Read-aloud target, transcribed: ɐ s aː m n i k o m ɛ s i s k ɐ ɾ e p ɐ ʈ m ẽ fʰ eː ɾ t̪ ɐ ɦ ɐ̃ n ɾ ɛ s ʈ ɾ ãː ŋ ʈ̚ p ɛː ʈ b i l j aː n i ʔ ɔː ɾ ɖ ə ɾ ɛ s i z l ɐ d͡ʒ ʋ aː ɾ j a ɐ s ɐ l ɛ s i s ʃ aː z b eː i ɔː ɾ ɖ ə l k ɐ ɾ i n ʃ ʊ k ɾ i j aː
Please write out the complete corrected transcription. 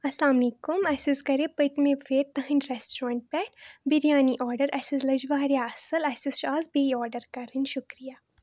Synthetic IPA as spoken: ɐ s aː m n i k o m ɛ s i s k ɐ ɾ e p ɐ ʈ m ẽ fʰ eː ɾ t̪ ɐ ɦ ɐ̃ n ɾ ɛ s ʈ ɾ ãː ɳ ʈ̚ p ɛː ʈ b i ɾ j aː n i ʔ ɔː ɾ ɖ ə ɾ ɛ s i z l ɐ d͡ʒ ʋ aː ɾ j a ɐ s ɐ l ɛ s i s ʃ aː z b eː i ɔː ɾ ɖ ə ɾ k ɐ ɾ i n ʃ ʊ k ɾ i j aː